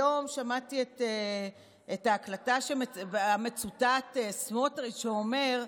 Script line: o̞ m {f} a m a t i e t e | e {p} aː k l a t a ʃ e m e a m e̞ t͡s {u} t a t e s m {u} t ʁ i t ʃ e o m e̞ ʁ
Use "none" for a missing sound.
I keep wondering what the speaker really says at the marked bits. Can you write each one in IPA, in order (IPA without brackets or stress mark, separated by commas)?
ʃ, t, u, o